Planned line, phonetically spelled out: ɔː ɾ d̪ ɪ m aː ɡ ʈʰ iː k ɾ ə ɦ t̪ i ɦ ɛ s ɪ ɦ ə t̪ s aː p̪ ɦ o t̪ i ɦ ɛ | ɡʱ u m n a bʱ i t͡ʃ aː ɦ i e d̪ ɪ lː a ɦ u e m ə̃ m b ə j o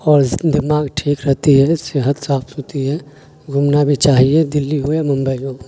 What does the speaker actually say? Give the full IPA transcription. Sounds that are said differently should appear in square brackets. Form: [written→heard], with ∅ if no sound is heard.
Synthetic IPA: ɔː ɾ d̪ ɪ m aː ɡ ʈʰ iː k ɾ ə ɦ t̪ i ɦ ɛ s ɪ ɦ ə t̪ s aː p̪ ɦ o t̪ i ɦ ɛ | ɡʱ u m n a bʱ i t͡ʃ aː ɦ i e d̪ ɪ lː [a→i] ɦ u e m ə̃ m b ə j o

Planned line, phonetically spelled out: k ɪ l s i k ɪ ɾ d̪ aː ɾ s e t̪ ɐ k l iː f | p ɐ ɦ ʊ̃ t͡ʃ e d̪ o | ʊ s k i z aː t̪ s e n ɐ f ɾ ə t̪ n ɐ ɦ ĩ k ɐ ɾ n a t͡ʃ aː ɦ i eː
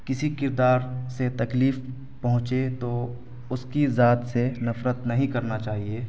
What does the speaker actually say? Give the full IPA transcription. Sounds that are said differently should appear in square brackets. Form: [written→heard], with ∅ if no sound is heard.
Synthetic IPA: k ɪ [l→∅] s i k ɪ ɾ d̪ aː ɾ s e t̪ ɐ k l iː f | p ɐ ɦ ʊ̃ t͡ʃ e [d̪→t̪] o | ʊ s k i z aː t̪ s e n ɐ f ɾ ə t̪ n ɐ ɦ ĩ k ɐ ɾ n a t͡ʃ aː ɦ i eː

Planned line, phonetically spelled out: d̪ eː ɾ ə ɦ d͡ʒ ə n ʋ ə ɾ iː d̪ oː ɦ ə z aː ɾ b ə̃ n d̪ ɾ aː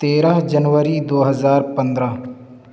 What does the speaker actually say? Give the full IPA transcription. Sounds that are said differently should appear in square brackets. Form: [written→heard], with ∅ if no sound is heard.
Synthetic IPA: [d̪→t̪] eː ɾ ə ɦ d͡ʒ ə n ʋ ə ɾ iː d̪ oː ɦ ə z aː ɾ [b→p] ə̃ n d̪ ɾ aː

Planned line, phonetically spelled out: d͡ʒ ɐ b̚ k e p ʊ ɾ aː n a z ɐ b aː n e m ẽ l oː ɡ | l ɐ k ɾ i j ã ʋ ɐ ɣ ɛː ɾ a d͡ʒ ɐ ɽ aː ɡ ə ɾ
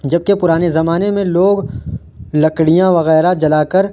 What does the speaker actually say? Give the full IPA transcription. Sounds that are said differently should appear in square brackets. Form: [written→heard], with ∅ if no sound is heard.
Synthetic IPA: d͡ʒ ɐ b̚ k e p ʊ ɾ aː n [a→e] z ɐ [b→m] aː n e m ẽ l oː ɡ | l ɐ k [ɾ→ɽ] i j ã ʋ ɐ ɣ ɛː ɾ a d͡ʒ ɐ [ɽ→l] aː [ɡ→k] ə ɾ

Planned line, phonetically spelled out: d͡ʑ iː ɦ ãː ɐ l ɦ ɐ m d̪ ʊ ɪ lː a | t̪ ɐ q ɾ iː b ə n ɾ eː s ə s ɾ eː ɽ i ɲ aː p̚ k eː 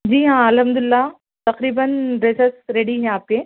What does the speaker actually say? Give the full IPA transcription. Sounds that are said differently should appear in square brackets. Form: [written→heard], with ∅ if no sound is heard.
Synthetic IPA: d͡ʑ iː ɦ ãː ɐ l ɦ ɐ m d̪ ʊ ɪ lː a | t̪ ɐ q ɾ iː b ə n ɾ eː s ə s ɾ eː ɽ i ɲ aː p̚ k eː

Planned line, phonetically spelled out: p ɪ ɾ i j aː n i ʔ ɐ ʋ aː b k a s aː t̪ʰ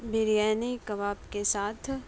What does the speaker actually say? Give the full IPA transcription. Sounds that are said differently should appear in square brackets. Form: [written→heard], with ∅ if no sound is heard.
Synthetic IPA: [p→b] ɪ ɾ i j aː n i [ʔ→k] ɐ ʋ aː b k [a→e] s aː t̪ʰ

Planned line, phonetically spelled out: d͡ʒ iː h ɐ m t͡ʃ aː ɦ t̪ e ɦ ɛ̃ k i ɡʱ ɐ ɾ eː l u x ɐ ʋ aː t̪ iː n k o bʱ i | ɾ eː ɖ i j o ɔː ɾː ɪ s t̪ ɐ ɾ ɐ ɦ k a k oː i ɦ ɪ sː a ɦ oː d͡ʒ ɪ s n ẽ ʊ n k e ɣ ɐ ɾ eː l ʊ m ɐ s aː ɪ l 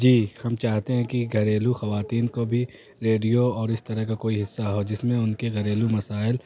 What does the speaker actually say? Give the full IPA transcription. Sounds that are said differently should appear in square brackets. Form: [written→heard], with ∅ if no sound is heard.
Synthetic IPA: d͡ʒ iː h ɐ m t͡ʃ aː ɦ t̪ e ɦ ɛ̃ k i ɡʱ ɐ ɾ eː l u x ɐ ʋ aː t̪ iː n k o bʱ i | ɾ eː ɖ i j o ɔː [ɾː→ɾ] ɪ s t̪ ɐ ɾ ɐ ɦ k a k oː i ɦ ɪ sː a ɦ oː d͡ʒ ɪ s [n→m] ẽ ʊ n k e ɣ ɐ ɾ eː l [ʊ→u] m ɐ s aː ɪ l

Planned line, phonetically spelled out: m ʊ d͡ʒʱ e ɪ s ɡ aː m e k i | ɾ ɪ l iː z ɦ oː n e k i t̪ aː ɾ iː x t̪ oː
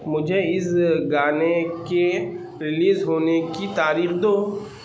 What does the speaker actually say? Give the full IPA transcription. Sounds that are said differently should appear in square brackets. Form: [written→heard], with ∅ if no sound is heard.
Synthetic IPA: m ʊ d͡ʒʱ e ɪ s ɡ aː [m→n] e k [i→e] | ɾ ɪ l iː z ɦ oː n e k i t̪ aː ɾ iː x [t̪→d̪] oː

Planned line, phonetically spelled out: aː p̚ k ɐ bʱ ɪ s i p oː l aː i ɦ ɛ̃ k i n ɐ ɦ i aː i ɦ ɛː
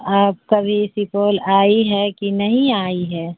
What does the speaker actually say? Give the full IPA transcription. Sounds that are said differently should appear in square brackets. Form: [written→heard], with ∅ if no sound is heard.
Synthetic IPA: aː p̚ k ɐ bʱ [ɪ→i] s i p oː l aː i ɦ [ɛ̃→ɛ] k i n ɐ ɦ [i→ĩ] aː i ɦ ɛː

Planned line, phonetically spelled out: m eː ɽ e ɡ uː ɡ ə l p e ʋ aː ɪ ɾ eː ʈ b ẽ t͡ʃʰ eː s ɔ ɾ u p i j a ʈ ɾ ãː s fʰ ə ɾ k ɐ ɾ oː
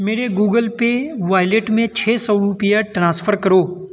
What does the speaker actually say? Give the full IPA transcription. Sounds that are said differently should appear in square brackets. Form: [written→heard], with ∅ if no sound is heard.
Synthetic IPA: m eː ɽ e ɡ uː ɡ ə l p e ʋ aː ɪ [ɾ→l] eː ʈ [b→m] ẽ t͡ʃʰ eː s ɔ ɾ u p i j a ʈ ɾ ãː s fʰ ə ɾ k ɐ ɾ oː

